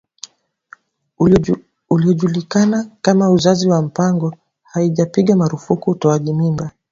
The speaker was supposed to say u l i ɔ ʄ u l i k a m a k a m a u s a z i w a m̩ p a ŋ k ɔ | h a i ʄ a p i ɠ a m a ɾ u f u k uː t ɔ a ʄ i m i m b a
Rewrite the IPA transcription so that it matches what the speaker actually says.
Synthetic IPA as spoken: u l i ɔ ʄ u l i k a n a k a m a u z a z i w a m̩ p a ŋ ɡ ɔ | h a i ʄ a p i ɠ a m a ɾ u f u k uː t ɔ a ʄ i m i m b a

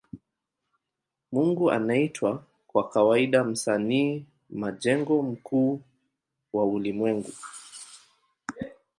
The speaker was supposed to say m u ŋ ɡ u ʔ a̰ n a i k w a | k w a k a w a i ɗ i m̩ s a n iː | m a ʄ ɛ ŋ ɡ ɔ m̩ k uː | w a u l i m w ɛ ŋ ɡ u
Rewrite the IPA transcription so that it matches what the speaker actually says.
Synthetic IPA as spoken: m u ŋ ɡ u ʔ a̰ n a i t w a | k w a k a w a i ɗ a m̩ s a n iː | m a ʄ ɛ ŋ ɡ ɔ m̩ k uː | w a u l i m w ɛ ŋ ɡ u

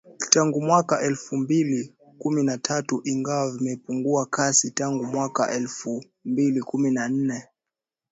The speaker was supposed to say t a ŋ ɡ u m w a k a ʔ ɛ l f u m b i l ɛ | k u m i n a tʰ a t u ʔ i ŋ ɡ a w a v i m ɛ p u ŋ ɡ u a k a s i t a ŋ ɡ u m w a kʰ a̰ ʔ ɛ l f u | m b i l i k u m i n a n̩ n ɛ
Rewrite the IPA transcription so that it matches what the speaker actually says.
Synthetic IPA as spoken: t a ŋ ɡ u m w a k a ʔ ɛ l f u m b i l i | k u m i n a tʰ a t u ʔ i ŋ ɡ a w a v i m ɛ p u ŋ ɡ u a k a s i t a ŋ ɡ u m w a k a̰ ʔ ɛ l f u | m b i l i k u m i n a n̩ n ɛ

